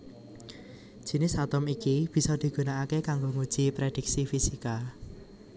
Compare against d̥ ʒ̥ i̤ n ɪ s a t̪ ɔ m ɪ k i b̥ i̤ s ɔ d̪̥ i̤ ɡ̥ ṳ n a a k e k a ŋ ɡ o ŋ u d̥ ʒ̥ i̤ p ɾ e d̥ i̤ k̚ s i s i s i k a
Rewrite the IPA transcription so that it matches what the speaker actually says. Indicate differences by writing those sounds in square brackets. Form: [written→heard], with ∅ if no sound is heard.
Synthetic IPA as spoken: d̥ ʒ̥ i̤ n ɪ s a t̪ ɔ m [ɪ→i] k i b̥ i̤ s ɔ d̪̥ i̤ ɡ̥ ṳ n a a k e k a ŋ ɡ o ŋ u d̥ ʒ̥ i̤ p ɾ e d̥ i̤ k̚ s i [s→f] i s i k a